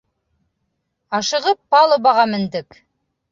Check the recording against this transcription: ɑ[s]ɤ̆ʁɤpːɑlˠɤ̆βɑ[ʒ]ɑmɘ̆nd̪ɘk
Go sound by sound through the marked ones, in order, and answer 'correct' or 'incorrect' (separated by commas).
incorrect, incorrect